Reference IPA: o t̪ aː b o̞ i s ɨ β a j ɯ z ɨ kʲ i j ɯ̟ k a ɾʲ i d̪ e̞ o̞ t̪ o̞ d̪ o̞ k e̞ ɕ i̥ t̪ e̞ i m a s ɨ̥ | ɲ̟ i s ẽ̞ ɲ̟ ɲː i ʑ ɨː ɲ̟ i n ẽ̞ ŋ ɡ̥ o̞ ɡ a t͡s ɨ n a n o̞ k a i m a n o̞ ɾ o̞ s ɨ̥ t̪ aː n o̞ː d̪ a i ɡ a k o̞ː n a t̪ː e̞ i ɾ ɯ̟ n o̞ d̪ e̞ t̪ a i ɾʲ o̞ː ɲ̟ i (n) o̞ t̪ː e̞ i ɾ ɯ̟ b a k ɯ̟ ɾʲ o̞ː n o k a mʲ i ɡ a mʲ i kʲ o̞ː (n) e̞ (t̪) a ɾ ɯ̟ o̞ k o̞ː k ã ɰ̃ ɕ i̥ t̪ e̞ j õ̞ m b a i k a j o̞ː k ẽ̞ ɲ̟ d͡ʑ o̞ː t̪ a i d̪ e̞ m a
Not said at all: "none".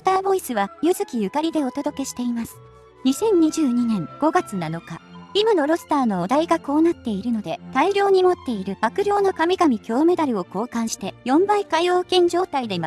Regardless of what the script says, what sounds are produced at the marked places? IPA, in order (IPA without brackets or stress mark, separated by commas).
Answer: m, m, d̪